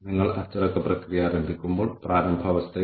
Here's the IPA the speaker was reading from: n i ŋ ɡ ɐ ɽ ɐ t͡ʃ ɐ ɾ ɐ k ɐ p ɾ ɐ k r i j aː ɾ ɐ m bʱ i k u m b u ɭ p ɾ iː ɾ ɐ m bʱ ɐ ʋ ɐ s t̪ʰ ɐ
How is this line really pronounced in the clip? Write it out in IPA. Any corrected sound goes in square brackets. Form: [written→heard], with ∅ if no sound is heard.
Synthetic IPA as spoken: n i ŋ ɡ ɐ [ɽ→ɭ] ɐ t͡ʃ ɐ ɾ ɐ k ɐ p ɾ ɐ k [r→ɾ] i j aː ɾ ɐ m bʱ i k u m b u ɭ p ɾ [iː→aː] ɾ ɐ m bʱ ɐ ʋ ɐ s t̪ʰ ɐ